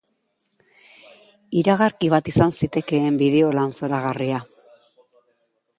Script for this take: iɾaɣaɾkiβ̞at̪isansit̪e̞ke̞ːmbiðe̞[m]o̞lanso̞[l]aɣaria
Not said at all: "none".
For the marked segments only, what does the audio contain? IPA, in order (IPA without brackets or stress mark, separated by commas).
none, ɾ